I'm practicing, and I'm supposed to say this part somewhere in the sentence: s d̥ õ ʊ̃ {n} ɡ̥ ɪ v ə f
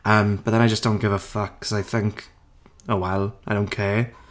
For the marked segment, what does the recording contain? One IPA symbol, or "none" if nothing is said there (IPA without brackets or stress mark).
n